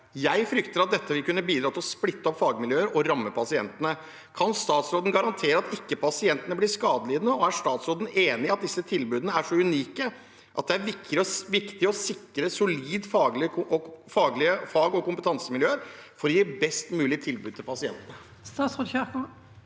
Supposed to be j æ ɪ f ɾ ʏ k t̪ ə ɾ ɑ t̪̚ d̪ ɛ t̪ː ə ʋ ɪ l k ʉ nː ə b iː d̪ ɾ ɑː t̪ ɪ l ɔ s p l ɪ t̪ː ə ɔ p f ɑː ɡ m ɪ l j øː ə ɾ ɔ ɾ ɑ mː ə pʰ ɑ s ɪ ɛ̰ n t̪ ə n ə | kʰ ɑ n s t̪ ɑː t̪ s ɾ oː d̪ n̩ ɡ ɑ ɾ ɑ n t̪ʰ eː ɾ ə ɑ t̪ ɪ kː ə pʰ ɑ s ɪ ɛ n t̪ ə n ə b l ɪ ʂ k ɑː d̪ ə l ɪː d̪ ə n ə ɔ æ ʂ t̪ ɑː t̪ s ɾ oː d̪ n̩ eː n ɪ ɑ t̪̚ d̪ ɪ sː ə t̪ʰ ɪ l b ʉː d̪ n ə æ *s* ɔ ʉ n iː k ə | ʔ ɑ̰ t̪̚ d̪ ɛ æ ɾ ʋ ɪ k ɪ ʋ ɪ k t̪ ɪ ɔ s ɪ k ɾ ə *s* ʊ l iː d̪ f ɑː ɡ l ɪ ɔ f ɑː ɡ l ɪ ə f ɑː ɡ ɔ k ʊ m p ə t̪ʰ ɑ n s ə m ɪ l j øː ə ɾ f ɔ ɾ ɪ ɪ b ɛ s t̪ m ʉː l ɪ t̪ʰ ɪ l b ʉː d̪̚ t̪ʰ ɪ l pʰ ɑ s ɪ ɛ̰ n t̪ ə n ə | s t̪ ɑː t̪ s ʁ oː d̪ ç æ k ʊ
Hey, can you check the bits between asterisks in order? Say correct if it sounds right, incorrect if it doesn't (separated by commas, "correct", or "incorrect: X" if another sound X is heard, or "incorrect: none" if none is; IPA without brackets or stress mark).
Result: incorrect: ʂ, correct